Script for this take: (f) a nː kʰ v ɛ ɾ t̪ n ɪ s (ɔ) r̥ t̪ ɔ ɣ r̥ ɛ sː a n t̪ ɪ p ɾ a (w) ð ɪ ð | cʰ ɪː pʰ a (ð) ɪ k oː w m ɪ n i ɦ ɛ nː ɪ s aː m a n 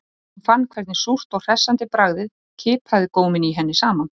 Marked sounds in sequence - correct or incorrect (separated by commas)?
correct, incorrect, incorrect, correct